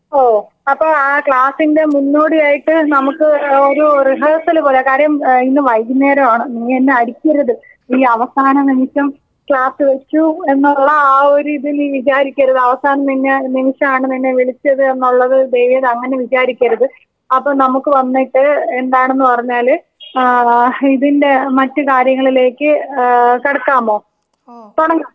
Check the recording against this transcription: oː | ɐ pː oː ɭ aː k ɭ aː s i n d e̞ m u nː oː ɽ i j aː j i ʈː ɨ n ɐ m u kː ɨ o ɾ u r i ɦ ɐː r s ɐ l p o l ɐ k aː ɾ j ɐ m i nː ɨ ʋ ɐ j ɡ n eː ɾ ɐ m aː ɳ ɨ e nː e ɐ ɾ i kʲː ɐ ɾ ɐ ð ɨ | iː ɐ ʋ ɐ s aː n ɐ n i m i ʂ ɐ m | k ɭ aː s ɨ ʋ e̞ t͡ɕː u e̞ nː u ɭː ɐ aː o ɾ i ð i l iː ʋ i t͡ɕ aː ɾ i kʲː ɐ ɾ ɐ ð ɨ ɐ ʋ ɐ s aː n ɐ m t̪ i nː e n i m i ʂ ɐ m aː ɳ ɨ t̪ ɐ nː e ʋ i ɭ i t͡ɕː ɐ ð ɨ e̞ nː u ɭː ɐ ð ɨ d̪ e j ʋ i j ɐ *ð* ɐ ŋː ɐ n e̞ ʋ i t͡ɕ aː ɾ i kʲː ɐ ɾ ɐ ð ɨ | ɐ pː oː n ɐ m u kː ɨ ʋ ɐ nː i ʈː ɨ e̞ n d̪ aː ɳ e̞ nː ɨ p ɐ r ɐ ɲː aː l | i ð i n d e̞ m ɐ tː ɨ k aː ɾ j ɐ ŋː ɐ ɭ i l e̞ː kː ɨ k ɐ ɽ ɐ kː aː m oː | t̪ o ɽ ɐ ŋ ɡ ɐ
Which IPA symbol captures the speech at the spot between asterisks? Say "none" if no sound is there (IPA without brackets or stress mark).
ð